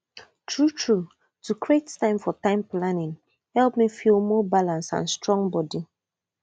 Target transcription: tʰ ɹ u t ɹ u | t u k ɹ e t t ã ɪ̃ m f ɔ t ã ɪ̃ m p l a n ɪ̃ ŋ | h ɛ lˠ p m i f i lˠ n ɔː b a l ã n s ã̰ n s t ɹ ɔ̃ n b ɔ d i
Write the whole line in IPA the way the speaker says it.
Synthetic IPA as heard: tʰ ɹ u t ɹ u | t u k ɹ e t t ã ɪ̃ m f ɔ t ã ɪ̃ m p l a n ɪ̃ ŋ | h ɛ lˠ p m i f i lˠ m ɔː b a l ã n s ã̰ n s t ɹ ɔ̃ ŋ b ɔ d i